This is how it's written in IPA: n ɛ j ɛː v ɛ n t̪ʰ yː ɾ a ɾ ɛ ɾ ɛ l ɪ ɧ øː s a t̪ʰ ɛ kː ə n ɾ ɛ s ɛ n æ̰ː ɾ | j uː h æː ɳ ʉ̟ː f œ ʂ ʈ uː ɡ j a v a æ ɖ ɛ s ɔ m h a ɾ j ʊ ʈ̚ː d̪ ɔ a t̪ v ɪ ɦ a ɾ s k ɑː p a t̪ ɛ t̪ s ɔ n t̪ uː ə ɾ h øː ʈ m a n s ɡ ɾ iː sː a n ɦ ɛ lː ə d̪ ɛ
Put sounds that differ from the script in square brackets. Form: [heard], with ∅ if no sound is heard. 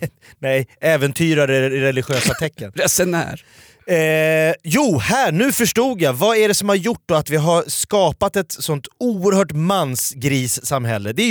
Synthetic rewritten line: n ɛ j ɛː v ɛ n t̪ʰ yː ɾ a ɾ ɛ ɾ ɛ l ɪ ɧ øː s a t̪ʰ ɛ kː ə n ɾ ɛ s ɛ n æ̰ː ɾ | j uː h æː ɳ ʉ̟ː f œ ʂ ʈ uː ɡ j a v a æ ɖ ɛ s ɔ m h a ɾ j ʊ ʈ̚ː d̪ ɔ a t̪ v ɪ ɦ a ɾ s k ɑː p a t̪ ɛ t̪ s ɔ n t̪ uː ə ɾ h [œː] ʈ m a n s ɡ ɾ iː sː a [m] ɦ ɛ lː ə d̪ ɛ